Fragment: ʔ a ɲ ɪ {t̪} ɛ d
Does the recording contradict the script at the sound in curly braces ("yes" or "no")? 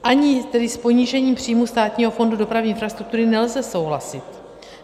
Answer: no